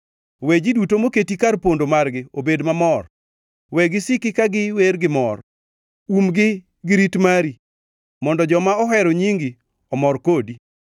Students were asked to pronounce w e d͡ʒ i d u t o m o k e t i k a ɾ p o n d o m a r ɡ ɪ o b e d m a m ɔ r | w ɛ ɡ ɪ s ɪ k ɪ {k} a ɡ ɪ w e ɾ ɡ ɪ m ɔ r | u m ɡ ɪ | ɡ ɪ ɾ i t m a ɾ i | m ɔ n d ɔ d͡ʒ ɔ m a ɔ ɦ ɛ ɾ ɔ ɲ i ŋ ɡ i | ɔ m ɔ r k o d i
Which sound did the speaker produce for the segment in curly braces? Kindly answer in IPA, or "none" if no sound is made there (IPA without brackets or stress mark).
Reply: k